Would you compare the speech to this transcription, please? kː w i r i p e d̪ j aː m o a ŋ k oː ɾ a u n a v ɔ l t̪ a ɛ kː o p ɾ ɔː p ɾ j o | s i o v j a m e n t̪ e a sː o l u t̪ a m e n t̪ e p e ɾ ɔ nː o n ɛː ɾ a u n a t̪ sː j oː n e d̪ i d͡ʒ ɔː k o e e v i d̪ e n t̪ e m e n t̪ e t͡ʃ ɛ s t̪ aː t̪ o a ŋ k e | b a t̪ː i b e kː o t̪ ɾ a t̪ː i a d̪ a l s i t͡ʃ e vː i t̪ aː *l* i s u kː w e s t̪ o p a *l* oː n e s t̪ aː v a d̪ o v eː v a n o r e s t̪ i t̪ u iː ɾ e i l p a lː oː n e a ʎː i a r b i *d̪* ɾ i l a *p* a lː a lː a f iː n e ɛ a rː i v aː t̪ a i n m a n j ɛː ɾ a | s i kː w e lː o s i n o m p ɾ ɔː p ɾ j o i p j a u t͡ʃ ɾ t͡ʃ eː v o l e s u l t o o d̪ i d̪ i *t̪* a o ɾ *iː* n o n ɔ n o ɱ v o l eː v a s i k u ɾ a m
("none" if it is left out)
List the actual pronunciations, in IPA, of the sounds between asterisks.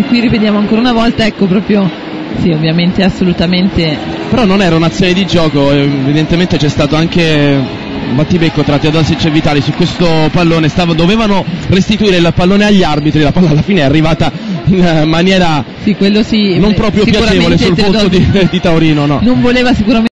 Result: l, lː, t̪, p, t̪, iː

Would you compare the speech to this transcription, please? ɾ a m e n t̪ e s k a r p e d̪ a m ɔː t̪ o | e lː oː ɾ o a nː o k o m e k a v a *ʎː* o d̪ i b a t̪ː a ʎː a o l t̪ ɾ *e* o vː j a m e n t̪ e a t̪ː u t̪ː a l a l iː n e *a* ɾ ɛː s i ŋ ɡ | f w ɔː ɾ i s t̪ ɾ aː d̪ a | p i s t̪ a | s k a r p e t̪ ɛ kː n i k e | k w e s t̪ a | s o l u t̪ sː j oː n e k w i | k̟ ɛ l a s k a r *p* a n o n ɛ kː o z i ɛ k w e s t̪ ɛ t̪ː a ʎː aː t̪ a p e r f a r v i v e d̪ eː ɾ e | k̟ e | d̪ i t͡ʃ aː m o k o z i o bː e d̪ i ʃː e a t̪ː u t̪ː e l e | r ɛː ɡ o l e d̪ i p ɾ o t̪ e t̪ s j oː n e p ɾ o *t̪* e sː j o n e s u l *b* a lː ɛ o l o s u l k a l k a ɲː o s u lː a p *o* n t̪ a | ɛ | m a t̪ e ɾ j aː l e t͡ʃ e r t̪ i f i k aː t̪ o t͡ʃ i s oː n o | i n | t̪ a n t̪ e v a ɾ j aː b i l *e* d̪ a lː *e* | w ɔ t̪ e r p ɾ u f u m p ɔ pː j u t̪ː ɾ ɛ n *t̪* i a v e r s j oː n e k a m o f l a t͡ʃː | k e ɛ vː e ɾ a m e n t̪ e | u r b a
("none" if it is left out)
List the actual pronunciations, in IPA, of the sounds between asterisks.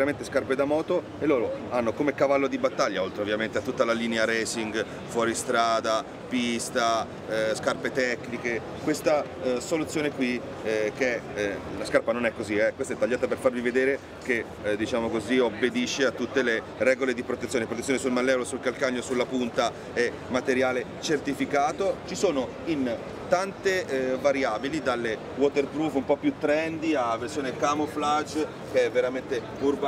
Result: lː, e, a, p, t̪, m, u, i, e, d̪

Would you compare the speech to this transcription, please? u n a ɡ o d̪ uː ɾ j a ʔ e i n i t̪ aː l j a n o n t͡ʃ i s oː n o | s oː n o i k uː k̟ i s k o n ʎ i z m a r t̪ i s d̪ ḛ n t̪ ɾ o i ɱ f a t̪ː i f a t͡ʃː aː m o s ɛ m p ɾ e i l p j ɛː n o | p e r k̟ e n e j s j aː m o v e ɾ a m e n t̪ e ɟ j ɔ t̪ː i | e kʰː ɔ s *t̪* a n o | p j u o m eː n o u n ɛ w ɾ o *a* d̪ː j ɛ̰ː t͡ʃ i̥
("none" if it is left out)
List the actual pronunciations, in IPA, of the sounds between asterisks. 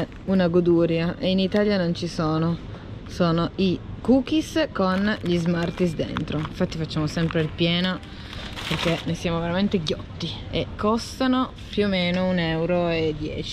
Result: t̪, e

